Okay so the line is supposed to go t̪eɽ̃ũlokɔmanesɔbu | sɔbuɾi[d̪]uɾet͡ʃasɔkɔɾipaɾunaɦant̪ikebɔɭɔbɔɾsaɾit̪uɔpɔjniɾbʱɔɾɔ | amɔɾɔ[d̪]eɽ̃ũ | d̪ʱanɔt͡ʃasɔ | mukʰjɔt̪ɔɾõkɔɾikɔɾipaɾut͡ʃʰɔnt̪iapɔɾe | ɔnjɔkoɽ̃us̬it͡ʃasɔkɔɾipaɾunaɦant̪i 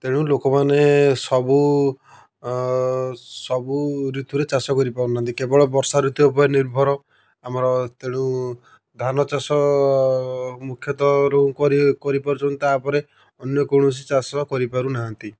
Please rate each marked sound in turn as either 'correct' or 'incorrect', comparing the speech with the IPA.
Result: incorrect: t̪, incorrect: t̪

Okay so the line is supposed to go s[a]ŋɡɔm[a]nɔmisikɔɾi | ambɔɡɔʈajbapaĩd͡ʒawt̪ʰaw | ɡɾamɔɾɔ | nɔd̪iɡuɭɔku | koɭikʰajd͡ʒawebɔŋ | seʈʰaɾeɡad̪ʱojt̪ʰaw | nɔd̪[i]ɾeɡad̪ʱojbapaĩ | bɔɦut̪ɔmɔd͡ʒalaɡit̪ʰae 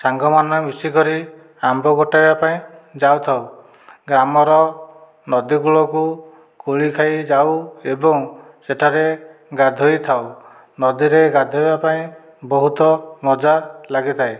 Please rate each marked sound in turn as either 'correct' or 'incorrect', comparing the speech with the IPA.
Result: correct, correct, correct

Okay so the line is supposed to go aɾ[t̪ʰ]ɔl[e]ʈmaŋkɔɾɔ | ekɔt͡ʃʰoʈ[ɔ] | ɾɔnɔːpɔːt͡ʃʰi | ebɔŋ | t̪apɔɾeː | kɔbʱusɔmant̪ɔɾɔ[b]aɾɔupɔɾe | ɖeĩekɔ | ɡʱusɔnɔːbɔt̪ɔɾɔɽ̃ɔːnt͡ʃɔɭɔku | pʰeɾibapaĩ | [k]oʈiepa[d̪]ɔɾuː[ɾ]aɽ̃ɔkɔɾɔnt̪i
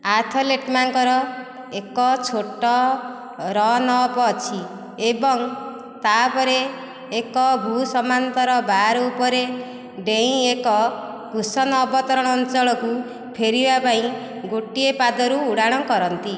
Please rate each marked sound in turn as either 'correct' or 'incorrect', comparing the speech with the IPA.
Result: correct, correct, correct, correct, incorrect: ɡ, correct, incorrect: ɽ

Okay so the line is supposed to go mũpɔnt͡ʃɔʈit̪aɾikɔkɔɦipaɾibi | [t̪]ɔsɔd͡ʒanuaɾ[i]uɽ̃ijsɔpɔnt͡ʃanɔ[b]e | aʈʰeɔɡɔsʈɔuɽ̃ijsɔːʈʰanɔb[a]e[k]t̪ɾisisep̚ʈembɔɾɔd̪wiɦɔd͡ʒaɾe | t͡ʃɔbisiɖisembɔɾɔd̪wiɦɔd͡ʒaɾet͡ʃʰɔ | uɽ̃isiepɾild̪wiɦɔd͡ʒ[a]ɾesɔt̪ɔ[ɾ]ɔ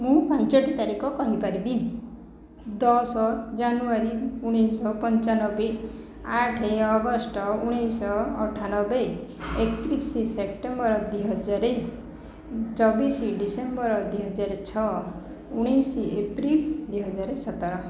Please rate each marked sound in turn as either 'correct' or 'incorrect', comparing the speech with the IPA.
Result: incorrect: d̪, correct, correct, incorrect: e, correct, correct, correct

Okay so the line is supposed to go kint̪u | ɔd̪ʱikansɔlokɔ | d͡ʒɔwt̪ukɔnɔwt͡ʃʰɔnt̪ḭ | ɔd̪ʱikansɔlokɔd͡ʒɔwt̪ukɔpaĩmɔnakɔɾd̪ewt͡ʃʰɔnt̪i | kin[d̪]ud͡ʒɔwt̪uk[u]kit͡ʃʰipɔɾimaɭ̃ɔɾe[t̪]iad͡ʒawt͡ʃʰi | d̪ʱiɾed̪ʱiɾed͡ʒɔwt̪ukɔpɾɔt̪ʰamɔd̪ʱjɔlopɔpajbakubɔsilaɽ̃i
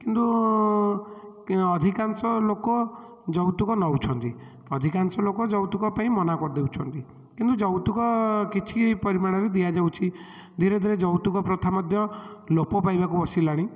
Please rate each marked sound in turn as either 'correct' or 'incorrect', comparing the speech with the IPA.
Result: incorrect: t̪, incorrect: ɔ, incorrect: d̪

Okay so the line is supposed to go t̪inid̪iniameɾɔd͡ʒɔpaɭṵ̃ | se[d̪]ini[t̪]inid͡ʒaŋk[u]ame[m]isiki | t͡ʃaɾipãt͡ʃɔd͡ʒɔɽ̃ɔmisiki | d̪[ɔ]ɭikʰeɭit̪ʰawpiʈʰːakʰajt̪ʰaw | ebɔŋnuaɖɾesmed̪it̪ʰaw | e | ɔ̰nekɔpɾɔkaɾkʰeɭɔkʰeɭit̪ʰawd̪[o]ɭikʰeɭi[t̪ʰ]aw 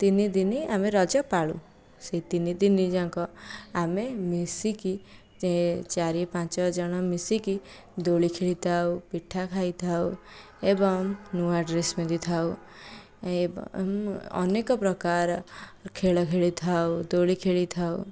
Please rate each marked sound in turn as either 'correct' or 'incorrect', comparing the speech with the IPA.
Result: incorrect: t̪, incorrect: d̪, incorrect: ɔ, correct, incorrect: o, correct, correct

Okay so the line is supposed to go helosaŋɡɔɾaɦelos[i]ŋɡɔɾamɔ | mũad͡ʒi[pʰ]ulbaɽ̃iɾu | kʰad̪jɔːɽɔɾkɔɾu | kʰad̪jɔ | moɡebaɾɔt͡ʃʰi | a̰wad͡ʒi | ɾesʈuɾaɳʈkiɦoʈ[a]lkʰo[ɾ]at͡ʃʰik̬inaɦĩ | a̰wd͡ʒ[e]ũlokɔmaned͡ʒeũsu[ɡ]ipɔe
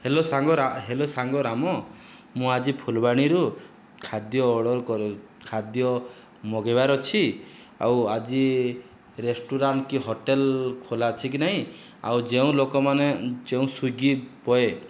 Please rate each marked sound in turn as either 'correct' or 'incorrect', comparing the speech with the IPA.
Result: incorrect: a, correct, incorrect: e, incorrect: l, correct, correct

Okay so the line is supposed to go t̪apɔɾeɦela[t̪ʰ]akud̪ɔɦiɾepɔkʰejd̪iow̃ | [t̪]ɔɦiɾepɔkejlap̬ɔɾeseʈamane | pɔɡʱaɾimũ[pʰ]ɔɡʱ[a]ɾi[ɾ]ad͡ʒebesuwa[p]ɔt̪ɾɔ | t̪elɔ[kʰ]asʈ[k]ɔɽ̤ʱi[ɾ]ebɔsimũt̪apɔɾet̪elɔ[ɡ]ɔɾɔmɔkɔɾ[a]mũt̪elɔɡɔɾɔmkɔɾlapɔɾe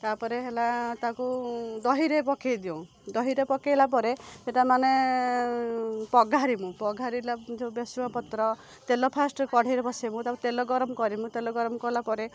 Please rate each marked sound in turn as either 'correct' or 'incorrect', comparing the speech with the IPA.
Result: incorrect: t̪, incorrect: d̪, incorrect: p, correct, incorrect: l, correct, incorrect: pʰ, correct, correct, correct, incorrect: i

